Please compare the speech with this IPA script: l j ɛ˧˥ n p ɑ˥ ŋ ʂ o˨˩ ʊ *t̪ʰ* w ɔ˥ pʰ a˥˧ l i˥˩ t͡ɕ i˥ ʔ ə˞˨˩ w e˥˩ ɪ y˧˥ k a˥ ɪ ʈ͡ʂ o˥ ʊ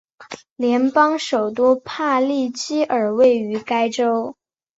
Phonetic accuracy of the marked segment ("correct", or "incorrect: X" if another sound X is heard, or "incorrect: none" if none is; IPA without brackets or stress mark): incorrect: t̪